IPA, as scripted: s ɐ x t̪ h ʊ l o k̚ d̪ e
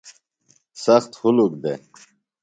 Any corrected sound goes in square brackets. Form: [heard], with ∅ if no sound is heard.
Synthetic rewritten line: s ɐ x t̪ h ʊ l [u] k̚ d̪ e